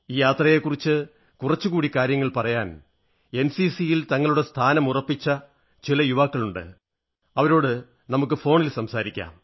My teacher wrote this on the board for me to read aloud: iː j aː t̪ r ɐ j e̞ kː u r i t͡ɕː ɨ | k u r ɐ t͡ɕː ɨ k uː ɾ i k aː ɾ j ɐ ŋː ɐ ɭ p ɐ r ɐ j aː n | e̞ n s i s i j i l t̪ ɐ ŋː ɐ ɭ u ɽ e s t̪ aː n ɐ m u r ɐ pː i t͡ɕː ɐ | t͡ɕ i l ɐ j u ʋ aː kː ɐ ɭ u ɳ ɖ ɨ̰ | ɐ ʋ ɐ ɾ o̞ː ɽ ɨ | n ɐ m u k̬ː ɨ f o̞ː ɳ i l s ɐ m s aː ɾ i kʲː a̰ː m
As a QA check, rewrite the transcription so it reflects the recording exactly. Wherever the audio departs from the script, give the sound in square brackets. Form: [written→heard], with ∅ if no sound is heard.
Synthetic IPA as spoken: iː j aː t̪ r ɐ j e̞ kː u r i t͡ɕː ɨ | k u r ɐ t͡ɕː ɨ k uː [ɾ→ɽ] i k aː ɾ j ɐ ŋː ɐ ɭ p ɐ r ɐ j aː n | e̞ n s i s i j i l t̪ ɐ ŋː ɐ ɭ u ɽ e s [t̪→t̪ʰ] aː n ɐ m u r ɐ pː i t͡ɕː ɐ | t͡ɕ i l ɐ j u ʋ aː kː ɐ ɭ u ɳ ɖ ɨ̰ | ɐ ʋ ɐ ɾ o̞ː ɽ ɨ | n ɐ m u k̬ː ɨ f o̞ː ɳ i l s ɐ m s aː ɾ i kʲː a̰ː m

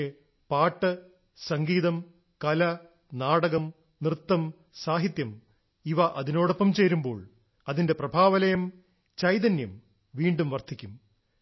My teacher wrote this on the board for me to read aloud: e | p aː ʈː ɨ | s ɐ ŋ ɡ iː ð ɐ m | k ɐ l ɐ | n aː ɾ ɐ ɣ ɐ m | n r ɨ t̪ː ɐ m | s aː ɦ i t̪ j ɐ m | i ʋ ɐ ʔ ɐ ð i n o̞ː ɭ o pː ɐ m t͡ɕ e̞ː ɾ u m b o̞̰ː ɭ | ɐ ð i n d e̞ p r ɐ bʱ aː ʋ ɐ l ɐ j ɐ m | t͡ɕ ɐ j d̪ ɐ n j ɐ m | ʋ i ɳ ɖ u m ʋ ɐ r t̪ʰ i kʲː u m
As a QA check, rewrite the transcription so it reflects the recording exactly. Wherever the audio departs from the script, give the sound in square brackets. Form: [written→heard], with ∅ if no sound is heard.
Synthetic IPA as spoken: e | p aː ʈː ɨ | s ɐ ŋ ɡ iː ð ɐ m | k ɐ l ɐ | n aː [ɾ→ɽ] ɐ ɣ ɐ m | n r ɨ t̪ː ɐ m | s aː ɦ i t̪ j ɐ m | i ʋ ɐ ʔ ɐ ð i n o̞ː [ɭ→ɽ] o pː ɐ m t͡ɕ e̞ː ɾ u m b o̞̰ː ɭ | ɐ ð i n d e̞ p r ɐ bʱ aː ʋ ɐ l ɐ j ɐ m | t͡ɕ ɐ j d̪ ɐ n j ɐ m | ʋ [i→iː] ɳ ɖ u m ʋ ɐ r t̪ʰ i kʲː u m

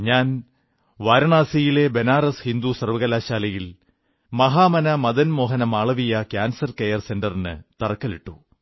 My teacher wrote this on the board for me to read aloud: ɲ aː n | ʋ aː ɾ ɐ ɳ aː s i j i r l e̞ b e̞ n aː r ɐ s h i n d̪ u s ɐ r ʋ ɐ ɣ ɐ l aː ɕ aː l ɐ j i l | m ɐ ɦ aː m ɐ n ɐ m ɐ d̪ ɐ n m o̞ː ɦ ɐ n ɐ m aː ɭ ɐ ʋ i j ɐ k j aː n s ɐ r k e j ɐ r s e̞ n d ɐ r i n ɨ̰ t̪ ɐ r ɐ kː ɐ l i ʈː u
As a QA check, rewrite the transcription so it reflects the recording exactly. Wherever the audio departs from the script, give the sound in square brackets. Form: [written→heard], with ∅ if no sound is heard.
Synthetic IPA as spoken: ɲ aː n | ʋ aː ɾ ɐ ɳ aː s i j i [r→∅] l e̞ b e̞ n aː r ɐ s h i n d̪ u s ɐ r ʋ ɐ ɣ ɐ l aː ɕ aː l ɐ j i l | m ɐ ɦ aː m ɐ n ɐ m ɐ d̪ ɐ n m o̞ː ɦ ɐ n ɐ m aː ɭ ɐ ʋ i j ɐ k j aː n s ɐ r k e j ɐ r s e̞ n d ɐ r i n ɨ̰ t̪ ɐ r ɐ kː ɐ l i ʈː u

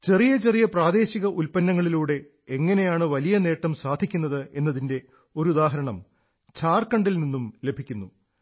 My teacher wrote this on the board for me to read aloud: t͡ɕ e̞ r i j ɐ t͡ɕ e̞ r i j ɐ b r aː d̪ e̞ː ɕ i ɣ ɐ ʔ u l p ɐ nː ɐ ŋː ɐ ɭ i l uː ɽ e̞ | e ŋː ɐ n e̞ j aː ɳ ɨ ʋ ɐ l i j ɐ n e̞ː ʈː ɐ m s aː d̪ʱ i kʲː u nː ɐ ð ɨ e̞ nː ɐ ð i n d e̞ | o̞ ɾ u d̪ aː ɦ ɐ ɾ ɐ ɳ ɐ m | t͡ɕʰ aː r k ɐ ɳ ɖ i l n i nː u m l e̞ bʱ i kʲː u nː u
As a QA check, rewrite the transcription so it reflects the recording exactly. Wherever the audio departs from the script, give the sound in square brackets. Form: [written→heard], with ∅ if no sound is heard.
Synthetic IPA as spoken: t͡ɕ e̞ r i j ɐ t͡ɕ e̞ r i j ɐ [b→p] r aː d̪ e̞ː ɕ i ɣ ɐ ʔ u l p ɐ nː ɐ ŋː ɐ ɭ i l uː ɽ e̞ | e ŋː ɐ n e̞ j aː ɳ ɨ ʋ ɐ l i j ɐ n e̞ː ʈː ɐ m s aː d̪ʱ i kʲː u nː ɐ ð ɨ e̞ nː ɐ ð i n d e̞ | o̞ ɾ u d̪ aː ɦ ɐ ɾ ɐ ɳ ɐ m | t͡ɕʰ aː r k ɐ ɳ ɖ i l n i nː u m l e̞ bʱ i kʲː u nː u

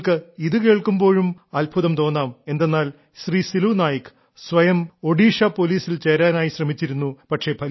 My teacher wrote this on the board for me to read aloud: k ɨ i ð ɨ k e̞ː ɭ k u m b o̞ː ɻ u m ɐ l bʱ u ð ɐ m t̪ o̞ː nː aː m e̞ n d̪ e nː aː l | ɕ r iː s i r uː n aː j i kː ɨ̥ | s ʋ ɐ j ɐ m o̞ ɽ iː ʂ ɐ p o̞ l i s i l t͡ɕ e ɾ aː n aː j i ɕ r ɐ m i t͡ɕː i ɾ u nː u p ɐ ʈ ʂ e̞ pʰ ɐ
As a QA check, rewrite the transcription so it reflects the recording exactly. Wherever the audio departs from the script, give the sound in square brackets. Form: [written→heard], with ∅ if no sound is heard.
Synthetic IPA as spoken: k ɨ i ð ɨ k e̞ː ɭ k u m b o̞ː ɻ u m ɐ l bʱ u ð ɐ m t̪ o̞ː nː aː m e̞ n d̪ e nː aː l | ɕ r iː s i [r→l] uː n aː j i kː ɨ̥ | s ʋ ɐ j ɐ m o̞ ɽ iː ʂ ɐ p o̞ l [i→iː] s i l t͡ɕ e ɾ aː n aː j i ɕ r ɐ m i t͡ɕː i ɾ u nː u p ɐ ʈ ʂ e̞ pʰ ɐ

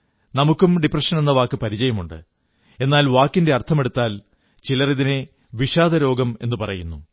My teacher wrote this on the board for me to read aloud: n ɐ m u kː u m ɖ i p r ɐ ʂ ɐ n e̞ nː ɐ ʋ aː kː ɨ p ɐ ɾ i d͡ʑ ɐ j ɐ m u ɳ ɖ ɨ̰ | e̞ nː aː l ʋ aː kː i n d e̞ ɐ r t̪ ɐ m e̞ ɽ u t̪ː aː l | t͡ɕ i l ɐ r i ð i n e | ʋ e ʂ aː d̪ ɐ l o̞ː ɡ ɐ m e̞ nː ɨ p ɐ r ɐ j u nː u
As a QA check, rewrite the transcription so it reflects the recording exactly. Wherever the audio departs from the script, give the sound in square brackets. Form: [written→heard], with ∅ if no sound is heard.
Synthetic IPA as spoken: n ɐ m u kː u m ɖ i p r ɐ ʂ ɐ n e̞ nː ɐ ʋ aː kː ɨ p ɐ ɾ i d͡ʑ ɐ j ɐ m u ɳ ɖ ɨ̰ | e̞ nː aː l ʋ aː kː i n d e̞ ɐ r [t̪→t̪ʰ] ɐ m e̞ ɽ u t̪ː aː l | t͡ɕ i l ɐ r i ð i n e | ʋ [e→i] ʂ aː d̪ ɐ [l→ɾ] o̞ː ɡ ɐ m e̞ nː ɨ p ɐ r ɐ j u nː u

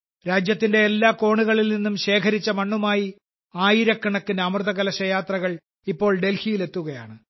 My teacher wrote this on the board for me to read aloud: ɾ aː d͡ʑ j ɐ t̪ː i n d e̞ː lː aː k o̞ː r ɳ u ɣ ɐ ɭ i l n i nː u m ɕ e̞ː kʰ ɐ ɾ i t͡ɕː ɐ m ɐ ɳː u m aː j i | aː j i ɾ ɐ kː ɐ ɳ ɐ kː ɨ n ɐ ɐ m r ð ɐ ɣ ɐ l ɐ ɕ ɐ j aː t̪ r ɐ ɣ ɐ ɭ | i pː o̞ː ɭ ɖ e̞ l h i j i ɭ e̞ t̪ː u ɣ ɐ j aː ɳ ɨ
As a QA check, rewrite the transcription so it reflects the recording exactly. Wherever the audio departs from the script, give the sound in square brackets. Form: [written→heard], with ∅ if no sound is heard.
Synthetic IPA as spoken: ɾ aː d͡ʑ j ɐ t̪ː i n d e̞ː lː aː k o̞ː [r→∅] ɳ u ɣ ɐ ɭ i l n i nː u m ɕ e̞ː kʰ ɐ ɾ i t͡ɕː ɐ m ɐ ɳː u m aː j i | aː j i ɾ ɐ kː ɐ ɳ ɐ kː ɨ n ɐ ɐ m r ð ɐ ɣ ɐ l ɐ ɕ ɐ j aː t̪ r ɐ ɣ ɐ ɭ | i pː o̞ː ɭ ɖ e̞ l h i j i [ɭ→l] e̞ t̪ː u ɣ ɐ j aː ɳ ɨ

